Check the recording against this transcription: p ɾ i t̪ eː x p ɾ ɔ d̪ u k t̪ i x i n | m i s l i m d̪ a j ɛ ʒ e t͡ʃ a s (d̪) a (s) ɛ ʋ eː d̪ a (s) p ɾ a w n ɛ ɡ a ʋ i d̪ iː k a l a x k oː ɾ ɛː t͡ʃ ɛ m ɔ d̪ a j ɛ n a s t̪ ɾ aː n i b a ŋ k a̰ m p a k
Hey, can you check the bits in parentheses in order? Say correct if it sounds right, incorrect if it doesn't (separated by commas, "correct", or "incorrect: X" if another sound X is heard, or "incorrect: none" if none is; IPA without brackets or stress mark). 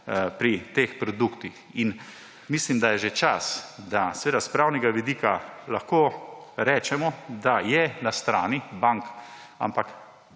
correct, correct, correct